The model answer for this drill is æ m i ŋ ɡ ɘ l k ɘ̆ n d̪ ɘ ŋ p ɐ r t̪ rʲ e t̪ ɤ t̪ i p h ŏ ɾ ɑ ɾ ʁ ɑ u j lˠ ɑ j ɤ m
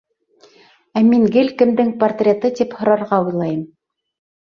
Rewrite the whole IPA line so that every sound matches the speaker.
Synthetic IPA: æ m i ŋ ɡ ɘ l k ɘ̆ m d̪ ɘ ŋ p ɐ r t̪ rʲ e t̪ ɤ t̪ i p h ŏ ɾ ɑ ɾ ʁ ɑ u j lˠ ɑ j ɤ m